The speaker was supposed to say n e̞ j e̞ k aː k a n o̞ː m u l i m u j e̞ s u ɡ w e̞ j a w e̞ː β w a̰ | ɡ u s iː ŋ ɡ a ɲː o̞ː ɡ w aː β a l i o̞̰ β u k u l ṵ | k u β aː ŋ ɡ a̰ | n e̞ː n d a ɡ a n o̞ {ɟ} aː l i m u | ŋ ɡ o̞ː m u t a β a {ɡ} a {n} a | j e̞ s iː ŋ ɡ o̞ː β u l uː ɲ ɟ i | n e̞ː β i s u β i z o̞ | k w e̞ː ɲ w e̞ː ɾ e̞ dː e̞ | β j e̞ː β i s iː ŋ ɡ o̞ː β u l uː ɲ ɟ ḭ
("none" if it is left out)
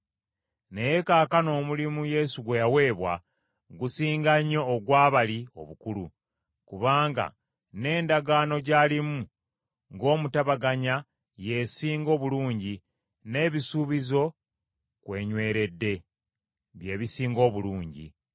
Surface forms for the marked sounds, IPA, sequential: ɟ, ɡ, ɲ

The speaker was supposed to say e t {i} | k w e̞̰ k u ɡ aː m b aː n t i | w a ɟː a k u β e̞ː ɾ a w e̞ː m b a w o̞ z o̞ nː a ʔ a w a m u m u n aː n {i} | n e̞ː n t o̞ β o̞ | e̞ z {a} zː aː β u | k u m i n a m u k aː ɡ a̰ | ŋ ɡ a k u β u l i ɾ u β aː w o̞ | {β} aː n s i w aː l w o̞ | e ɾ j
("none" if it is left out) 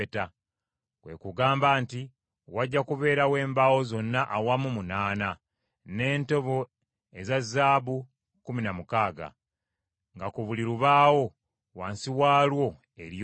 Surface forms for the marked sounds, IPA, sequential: a, a, a, w

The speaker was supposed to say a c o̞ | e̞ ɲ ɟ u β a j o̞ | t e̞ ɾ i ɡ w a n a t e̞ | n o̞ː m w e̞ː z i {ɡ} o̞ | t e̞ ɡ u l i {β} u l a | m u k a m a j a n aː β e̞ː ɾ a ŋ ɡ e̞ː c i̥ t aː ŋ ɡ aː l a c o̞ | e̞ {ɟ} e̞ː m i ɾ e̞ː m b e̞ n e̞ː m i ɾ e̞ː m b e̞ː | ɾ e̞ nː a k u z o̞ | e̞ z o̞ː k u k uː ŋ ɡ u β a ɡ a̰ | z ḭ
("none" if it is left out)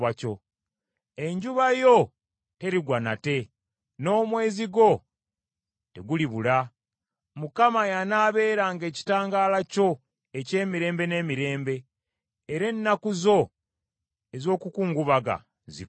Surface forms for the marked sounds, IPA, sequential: ɡ, β, c

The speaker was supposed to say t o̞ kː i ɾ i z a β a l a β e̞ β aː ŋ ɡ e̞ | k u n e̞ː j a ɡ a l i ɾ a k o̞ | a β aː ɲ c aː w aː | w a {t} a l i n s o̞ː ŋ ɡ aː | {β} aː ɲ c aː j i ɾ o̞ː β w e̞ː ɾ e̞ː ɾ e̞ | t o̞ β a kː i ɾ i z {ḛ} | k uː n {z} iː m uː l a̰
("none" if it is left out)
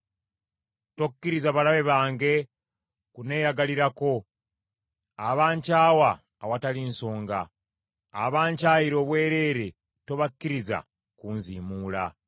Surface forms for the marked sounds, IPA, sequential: t, β, a̰, z

